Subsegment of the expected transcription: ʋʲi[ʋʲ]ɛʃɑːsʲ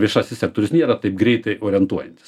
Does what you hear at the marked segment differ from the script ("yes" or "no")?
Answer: yes